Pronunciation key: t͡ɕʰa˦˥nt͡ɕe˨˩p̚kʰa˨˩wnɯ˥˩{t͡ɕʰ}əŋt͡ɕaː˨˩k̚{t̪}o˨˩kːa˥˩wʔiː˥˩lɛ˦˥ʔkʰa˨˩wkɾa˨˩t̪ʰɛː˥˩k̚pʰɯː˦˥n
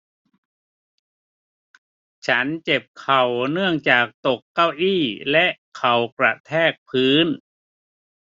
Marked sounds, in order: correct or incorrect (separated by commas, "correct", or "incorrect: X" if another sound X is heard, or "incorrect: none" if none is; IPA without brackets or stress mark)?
incorrect: none, correct